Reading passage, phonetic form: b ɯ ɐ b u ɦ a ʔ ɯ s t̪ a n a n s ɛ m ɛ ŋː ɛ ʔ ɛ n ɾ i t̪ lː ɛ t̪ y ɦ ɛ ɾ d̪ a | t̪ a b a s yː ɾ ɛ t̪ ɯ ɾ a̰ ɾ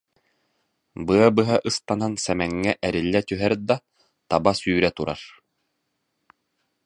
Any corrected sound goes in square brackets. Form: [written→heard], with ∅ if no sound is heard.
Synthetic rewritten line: b ɯ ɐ b [u→ɯ] ɦ a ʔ ɯ s t̪ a n a n s ɛ m ɛ ŋː ɛ ʔ ɛ [n→∅] ɾ i [t̪→∅] lː ɛ t̪ y ɦ ɛ ɾ d̪ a | t̪ a b a s yː ɾ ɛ t̪ [ɯ→u] ɾ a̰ ɾ